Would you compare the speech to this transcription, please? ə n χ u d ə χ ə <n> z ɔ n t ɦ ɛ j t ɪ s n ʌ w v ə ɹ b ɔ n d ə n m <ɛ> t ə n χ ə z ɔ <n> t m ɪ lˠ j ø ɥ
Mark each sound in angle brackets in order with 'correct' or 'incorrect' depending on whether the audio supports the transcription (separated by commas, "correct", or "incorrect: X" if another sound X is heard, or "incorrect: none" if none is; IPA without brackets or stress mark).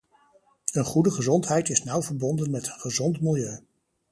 incorrect: none, correct, correct